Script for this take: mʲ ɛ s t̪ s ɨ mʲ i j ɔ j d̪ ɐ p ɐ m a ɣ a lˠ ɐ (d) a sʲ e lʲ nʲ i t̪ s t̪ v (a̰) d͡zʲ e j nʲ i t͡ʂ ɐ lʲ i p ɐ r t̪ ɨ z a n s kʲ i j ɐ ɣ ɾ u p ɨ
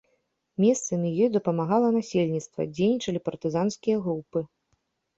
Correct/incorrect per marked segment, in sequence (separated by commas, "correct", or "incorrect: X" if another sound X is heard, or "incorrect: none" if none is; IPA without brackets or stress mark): incorrect: n, incorrect: ɐ̰